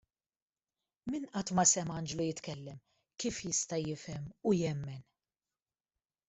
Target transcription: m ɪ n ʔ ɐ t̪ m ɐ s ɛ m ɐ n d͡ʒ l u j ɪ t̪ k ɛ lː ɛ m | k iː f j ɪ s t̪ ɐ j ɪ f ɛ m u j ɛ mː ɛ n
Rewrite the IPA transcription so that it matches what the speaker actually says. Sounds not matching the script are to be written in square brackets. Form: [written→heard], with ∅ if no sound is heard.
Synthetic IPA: m ɪ n ʔ ɐ t̪ m ɐ s ɛ m ɐ n d͡ʒ l u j ɪ t̪ k ɛ lː ɛ m | k iː f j ɪ s t̪ ɐ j ɪ f ɛ m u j ɛ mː ɛ n